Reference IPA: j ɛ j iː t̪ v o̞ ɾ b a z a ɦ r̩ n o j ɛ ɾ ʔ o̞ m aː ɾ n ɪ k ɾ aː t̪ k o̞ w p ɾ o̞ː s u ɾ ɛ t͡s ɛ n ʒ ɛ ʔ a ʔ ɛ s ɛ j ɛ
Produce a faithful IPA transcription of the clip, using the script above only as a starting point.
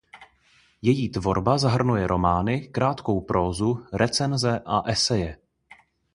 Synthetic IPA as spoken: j ɛ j iː t̪ v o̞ ɾ b a z a ɦ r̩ n u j ɛ ɾ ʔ o̞ m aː n ɪ k ɾ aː t̪ k o̞ w p ɾ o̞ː z u ɾ ɛ t͡s ɛ n z ɛ ʔ a ʔ ɛ s ɛ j ɛ